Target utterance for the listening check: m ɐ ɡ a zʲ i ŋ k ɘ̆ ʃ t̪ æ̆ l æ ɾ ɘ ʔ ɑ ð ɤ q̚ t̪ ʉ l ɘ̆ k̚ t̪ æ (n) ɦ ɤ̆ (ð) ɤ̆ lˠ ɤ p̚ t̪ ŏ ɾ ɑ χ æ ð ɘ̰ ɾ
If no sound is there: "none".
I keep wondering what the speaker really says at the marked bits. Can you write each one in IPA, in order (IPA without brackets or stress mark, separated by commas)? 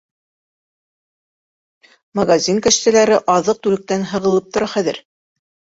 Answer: n, ʁ